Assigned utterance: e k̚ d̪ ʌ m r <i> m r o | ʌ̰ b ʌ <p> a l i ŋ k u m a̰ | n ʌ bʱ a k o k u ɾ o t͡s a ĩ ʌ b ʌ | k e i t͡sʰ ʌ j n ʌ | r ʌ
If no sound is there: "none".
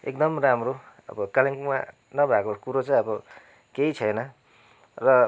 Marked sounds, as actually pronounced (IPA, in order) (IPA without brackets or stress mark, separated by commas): a, k